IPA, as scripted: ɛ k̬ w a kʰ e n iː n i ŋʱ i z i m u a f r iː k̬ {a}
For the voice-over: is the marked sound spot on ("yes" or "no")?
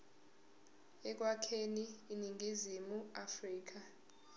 yes